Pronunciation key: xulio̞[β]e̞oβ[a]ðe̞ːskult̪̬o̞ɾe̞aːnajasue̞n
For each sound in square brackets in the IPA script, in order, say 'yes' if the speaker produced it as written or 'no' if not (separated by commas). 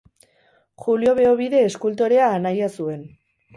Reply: yes, no